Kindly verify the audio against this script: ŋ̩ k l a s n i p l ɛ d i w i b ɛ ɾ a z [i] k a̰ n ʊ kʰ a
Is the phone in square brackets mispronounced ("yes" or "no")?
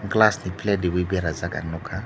yes